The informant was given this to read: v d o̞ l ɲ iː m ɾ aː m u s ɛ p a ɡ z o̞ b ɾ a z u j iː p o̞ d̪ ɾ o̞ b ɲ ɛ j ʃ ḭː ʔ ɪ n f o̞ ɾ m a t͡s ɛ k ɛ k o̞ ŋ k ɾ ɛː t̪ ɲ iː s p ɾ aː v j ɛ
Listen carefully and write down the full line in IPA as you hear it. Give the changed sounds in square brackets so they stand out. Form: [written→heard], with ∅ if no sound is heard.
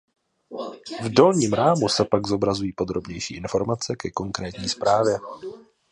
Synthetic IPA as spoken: v d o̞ l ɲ iː m ɾ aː m u s ɛ p a ɡ z o̞ b ɾ a z u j iː p o̞ d̪ ɾ o̞ b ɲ ɛ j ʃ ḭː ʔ ɪ n f o̞ ɾ m a t͡s ɛ k ɛ k o̞ ŋ k ɾ ɛː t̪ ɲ iː s p ɾ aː v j ɛ